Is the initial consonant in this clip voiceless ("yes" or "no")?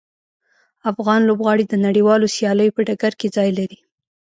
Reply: yes